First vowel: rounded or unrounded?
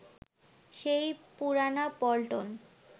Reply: unrounded